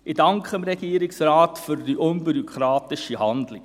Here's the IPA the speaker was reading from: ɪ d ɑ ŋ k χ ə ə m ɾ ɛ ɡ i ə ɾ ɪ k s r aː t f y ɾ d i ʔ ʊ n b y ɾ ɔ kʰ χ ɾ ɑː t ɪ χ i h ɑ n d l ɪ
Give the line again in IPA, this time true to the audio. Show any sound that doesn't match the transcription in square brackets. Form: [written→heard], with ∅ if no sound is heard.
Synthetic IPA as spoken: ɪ d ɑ ŋ k χ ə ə m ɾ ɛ ɡ i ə ɾ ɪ k s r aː t f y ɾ d i ʔ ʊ n b y ɾ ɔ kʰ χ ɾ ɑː t ɪ [χ→ʃ] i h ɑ n d l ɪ